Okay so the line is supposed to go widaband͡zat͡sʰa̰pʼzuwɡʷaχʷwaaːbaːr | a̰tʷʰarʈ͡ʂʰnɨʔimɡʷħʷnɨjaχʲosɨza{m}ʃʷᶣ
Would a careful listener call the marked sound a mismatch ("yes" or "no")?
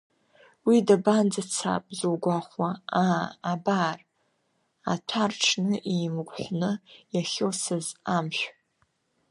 no